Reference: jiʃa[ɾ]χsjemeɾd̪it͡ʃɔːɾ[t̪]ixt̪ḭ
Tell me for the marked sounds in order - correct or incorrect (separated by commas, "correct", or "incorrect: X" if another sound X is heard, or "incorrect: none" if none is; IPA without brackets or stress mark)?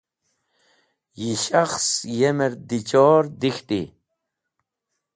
incorrect: none, incorrect: d̪